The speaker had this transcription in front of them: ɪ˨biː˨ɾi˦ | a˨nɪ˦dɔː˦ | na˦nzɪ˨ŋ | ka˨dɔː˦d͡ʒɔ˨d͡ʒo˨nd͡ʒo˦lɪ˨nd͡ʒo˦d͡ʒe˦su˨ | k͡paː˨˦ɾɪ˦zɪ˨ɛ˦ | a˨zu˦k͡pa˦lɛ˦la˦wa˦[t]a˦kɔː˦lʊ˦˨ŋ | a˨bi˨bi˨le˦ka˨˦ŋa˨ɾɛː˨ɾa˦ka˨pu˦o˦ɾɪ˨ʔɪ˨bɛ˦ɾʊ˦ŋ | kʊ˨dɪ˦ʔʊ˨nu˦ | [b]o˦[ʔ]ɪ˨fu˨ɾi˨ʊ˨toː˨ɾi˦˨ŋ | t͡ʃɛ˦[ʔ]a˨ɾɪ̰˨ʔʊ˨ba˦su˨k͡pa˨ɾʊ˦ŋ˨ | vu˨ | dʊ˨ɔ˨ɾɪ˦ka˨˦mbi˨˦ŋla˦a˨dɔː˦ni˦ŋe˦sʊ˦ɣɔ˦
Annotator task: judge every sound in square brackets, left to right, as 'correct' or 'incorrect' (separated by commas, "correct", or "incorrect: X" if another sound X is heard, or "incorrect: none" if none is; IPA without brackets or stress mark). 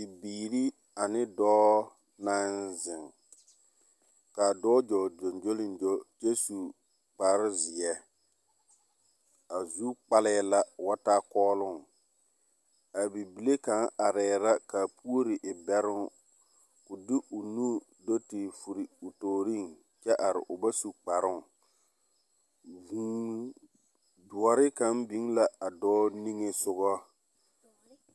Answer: correct, incorrect: d, incorrect: t, correct